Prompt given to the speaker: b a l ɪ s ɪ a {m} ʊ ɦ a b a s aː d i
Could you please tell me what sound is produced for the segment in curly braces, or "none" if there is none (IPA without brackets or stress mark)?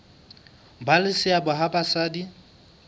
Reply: b